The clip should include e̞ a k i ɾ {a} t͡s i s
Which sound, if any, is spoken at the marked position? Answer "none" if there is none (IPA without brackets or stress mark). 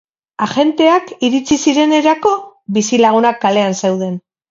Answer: i